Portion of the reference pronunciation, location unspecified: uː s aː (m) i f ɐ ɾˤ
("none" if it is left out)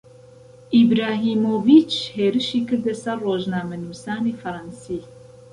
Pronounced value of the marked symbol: n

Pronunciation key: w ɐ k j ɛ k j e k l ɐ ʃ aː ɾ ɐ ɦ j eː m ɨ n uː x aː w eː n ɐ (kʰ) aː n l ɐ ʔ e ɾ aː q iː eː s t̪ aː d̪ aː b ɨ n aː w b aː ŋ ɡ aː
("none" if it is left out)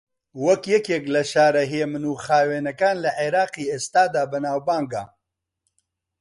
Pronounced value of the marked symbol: k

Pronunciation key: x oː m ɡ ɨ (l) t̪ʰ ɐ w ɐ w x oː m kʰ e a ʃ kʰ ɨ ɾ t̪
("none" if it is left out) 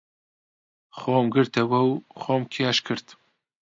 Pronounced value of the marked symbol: ɾ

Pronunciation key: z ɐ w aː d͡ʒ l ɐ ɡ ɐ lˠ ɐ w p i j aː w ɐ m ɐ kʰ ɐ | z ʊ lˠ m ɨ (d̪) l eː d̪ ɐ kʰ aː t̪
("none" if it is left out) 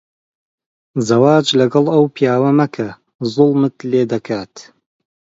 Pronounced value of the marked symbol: t̪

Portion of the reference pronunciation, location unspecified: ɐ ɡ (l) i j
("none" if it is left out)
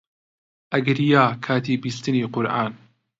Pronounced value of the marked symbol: ɾ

